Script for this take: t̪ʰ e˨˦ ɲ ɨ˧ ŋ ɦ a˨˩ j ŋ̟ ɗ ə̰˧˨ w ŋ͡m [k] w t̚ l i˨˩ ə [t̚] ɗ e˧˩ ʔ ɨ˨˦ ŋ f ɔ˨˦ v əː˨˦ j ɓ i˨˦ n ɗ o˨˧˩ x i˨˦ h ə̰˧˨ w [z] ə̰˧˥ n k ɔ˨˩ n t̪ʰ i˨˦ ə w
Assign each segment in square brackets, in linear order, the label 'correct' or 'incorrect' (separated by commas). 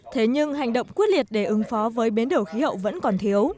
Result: correct, correct, incorrect